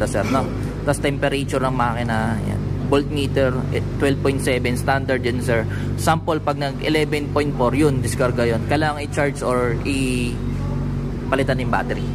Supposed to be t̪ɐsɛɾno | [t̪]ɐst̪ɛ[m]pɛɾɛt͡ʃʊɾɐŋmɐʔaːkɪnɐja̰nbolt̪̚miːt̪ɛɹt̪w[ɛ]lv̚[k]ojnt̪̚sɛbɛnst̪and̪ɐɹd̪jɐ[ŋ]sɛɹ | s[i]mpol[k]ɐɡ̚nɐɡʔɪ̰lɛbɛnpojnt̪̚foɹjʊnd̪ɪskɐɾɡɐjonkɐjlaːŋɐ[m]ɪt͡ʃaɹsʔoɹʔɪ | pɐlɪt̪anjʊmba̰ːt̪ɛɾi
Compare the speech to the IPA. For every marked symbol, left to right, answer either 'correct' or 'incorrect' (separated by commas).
correct, correct, correct, incorrect, incorrect, incorrect, incorrect, incorrect